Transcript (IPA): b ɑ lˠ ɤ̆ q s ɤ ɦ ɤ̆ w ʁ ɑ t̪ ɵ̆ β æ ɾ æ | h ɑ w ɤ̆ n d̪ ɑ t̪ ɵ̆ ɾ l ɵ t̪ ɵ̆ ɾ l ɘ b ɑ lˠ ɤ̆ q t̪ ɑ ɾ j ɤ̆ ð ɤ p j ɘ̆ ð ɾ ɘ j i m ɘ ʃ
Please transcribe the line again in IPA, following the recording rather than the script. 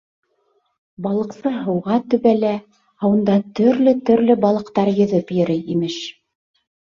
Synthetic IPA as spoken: b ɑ lˠ ɤ̆ q s ɤ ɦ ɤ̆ w ʁ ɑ t̪ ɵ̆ β æ l æ | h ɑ w ɤ̆ n d̪ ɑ t̪ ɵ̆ ɾ l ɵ t̪ ɵ̆ ɾ l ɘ b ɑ lˠ ɤ̆ q t̪ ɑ ɾ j ɤ̆ ð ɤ p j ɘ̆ ɾ ɘ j i m ɘ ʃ